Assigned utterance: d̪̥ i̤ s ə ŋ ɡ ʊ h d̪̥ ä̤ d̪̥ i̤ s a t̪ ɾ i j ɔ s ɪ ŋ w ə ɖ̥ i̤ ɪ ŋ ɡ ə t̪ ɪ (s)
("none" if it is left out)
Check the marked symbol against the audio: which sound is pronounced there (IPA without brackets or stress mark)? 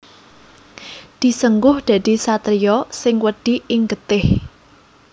h